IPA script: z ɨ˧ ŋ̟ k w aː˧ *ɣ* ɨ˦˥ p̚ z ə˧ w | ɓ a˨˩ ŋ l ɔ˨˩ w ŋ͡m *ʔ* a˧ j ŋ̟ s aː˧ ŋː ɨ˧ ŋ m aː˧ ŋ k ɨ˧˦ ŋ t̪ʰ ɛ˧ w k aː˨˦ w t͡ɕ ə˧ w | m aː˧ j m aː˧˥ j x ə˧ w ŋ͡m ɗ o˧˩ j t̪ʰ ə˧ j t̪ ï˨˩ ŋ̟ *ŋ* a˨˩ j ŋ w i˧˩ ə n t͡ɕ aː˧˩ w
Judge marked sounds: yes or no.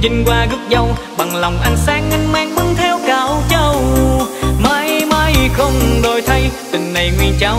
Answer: yes, yes, no

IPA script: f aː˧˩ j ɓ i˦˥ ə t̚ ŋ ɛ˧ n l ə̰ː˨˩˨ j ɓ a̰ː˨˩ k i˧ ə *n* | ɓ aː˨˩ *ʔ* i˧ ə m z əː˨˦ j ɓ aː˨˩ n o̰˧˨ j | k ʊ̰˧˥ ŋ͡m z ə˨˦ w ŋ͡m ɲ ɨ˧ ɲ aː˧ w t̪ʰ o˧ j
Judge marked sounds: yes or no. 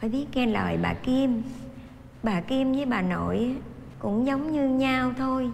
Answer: no, no

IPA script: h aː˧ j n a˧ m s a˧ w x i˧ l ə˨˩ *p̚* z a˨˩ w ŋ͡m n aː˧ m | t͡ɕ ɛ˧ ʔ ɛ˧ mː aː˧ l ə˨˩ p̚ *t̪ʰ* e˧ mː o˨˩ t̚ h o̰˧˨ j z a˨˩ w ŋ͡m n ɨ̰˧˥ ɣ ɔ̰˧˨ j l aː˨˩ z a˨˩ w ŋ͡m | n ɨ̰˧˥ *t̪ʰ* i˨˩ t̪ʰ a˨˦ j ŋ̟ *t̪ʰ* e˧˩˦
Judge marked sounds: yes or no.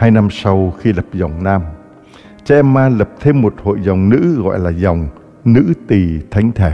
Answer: yes, yes, no, yes

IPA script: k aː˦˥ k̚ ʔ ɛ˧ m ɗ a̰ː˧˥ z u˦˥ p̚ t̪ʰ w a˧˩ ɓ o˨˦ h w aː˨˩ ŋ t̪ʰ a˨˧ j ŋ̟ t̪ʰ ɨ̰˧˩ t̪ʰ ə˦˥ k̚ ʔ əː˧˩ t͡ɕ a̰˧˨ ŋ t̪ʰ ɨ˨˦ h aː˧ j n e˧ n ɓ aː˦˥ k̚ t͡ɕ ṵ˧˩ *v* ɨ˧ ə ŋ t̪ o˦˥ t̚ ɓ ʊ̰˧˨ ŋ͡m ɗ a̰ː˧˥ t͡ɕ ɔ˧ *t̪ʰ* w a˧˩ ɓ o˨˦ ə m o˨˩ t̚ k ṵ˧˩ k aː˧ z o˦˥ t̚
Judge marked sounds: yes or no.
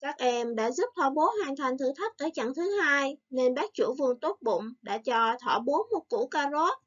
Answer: yes, yes

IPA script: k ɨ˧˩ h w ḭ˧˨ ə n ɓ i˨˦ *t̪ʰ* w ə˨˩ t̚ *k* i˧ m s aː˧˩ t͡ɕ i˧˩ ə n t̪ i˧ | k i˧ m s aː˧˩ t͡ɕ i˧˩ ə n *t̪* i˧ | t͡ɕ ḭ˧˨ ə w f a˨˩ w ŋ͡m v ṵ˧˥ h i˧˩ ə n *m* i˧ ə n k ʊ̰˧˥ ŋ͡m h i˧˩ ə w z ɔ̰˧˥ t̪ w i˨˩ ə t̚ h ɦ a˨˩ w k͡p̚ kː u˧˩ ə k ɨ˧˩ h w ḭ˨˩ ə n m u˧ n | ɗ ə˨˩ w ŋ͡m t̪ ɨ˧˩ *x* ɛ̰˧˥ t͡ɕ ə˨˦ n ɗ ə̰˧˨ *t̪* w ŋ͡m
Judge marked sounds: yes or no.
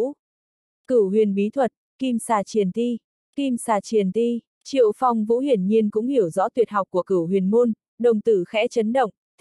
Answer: yes, yes, yes, no, yes, no

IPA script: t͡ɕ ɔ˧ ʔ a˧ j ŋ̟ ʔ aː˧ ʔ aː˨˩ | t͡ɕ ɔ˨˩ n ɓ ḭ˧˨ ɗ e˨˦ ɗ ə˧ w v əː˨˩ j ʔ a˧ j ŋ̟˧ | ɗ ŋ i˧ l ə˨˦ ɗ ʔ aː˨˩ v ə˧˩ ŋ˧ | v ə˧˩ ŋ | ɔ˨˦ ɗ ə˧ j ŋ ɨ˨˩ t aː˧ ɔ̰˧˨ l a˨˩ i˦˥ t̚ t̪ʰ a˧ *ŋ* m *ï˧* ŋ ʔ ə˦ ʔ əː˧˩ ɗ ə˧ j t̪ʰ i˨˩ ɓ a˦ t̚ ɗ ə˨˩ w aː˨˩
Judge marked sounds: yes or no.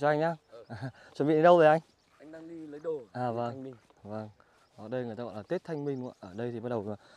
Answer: yes, yes

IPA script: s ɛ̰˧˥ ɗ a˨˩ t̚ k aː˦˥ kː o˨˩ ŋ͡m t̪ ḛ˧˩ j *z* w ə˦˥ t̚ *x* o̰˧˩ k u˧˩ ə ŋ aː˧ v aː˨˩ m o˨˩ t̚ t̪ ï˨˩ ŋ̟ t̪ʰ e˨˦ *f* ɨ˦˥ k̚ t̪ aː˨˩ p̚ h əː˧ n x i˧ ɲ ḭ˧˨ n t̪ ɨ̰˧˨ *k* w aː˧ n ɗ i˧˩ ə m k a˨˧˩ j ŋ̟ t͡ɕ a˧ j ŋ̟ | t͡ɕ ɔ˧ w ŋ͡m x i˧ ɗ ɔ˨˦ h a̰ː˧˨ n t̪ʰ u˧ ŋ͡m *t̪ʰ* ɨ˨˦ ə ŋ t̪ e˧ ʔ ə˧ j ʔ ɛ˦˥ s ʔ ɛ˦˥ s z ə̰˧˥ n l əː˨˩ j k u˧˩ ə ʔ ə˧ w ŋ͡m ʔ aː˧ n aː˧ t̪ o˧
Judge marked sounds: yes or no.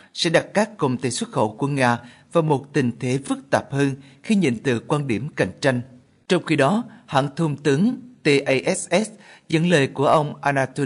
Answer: no, yes, yes, yes, no

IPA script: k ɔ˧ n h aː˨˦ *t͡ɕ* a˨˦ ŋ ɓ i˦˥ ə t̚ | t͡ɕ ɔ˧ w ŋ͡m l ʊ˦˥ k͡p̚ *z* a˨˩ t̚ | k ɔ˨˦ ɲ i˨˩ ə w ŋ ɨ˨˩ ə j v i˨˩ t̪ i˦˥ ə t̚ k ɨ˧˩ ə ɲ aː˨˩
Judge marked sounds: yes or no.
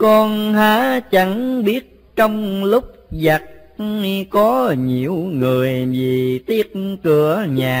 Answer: yes, yes

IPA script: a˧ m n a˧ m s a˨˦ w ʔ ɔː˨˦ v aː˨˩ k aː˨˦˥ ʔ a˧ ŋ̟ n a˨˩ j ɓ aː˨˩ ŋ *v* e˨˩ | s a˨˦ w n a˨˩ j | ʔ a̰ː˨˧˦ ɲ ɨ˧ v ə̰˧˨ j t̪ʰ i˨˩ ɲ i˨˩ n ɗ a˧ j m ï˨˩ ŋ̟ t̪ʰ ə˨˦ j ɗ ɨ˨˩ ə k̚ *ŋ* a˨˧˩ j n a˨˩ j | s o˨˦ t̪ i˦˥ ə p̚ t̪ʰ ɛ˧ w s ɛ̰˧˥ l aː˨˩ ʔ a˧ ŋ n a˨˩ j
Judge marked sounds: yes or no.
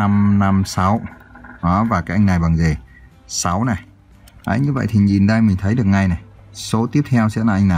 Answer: no, yes

